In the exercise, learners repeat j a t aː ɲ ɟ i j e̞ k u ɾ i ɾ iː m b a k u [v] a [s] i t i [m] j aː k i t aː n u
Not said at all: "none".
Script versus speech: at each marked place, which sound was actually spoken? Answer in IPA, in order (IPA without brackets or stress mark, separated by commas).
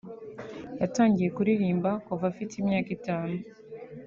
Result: v, f, m